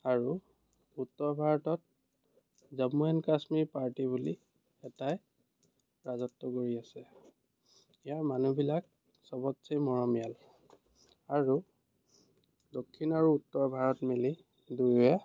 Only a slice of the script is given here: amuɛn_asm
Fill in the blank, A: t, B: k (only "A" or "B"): B